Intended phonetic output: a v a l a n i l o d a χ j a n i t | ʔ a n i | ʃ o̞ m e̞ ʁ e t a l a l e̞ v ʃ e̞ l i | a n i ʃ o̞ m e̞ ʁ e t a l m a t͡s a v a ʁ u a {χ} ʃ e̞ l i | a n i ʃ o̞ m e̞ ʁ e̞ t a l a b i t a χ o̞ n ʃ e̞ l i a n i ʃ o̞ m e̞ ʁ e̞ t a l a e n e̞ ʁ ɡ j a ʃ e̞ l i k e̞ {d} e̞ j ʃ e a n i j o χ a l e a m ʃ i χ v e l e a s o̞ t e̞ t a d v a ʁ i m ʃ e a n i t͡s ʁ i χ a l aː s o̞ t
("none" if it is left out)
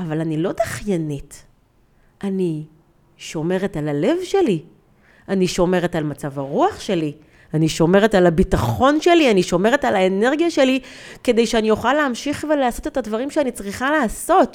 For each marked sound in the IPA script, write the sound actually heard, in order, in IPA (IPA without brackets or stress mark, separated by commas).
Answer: χ, d